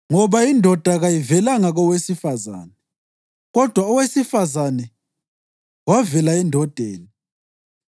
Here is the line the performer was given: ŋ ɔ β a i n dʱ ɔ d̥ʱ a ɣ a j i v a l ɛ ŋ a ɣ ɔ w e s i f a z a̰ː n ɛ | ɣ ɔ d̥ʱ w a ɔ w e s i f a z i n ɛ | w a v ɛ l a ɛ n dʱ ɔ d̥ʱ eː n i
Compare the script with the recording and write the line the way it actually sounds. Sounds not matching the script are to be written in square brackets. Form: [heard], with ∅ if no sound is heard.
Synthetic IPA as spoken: ŋ ɔ β a i n dʱ ɔ d̥ʱ a ɣ a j i v [ɛ] l [a] ŋ a ɣ ɔ w e s i f a z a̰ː n ɛ | ɣ ɔ d̥ʱ w a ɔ w e s i f a z [a] n ɛ | w a v ɛ l a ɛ n dʱ ɔ d̥ʱ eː n i

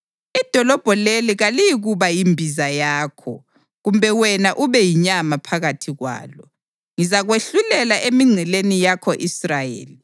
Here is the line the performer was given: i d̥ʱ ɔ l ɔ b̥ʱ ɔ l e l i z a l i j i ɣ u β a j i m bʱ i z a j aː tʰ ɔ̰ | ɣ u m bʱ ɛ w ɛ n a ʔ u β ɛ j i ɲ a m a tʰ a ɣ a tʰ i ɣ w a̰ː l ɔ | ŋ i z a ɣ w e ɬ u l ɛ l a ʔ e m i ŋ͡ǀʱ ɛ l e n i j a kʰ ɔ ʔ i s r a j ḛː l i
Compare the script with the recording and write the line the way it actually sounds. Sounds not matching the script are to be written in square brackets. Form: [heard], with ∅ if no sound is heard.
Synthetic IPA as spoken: i d̥ʱ ɔ l ɔ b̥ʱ ɔ l e l i [ɣ] a l i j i ɣ u β a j i m bʱ i z a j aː [kʰ] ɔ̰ | ɣ u m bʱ ɛ w ɛ n a ʔ u β ɛ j i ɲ a m a [pʰ] a ɣ a tʰ i ɣ w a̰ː l ɔ | ŋ i z a ɣ w e ɬ u l ɛ l a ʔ e m i ŋ͡ǀʱ ɛ l e n i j a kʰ ɔ ʔ i s r a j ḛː l i

